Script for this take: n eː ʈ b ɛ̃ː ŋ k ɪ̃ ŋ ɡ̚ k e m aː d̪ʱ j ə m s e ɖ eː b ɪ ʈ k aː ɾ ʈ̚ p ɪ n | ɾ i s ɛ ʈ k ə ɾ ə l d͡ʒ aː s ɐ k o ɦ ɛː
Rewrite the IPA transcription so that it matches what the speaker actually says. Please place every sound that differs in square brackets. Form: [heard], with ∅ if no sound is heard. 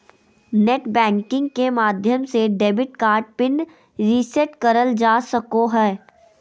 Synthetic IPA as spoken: n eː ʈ b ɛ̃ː ŋ k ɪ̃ ŋ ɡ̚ k e m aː d̪ʱ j ə m s e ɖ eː b ɪ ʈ k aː ɾ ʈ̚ p ɪ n | ɾ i s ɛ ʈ k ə ɾ ə l d͡ʒ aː s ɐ k o ɦ ɛː